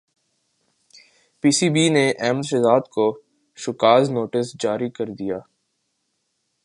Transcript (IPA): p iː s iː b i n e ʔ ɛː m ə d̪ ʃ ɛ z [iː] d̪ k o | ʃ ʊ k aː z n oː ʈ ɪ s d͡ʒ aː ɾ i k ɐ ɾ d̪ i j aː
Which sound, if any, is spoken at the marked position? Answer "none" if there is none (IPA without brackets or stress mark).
aː